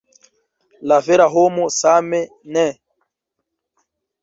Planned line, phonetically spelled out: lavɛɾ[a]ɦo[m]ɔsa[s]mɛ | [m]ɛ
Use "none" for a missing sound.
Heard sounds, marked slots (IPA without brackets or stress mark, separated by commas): a, m, none, n